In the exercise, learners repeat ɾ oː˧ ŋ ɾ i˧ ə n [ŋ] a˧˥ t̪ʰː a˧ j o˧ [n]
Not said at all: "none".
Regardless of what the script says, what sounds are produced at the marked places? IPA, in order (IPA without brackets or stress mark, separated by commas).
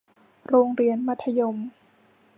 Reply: m, m